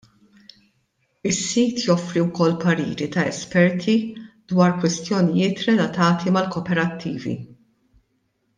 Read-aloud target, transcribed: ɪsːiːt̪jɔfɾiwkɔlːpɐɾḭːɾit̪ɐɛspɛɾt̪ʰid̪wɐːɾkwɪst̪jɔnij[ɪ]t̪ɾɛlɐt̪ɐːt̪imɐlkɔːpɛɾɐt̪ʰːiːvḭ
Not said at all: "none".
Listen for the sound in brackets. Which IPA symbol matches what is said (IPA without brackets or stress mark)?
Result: ɪː